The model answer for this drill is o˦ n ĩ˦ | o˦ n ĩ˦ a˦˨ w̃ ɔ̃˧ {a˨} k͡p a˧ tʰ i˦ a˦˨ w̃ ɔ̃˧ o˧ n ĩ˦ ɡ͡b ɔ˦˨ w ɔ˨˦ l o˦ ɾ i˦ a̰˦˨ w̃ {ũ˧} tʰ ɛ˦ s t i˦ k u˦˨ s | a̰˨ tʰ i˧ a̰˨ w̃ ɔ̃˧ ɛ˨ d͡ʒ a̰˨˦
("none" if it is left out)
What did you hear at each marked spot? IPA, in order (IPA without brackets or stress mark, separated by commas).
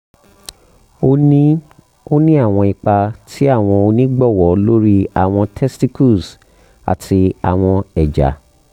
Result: i˨, ɔ̃˧